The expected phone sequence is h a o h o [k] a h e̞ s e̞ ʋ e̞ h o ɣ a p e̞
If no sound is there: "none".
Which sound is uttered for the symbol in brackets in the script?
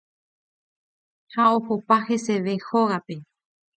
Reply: p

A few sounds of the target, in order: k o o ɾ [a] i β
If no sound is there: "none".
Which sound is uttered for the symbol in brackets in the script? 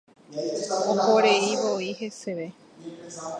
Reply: e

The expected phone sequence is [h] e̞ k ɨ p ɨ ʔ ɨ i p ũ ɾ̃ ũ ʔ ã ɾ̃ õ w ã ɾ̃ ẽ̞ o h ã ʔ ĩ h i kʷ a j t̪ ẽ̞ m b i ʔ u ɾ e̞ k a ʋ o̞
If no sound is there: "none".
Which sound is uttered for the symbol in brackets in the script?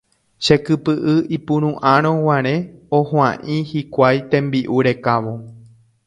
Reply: ʃ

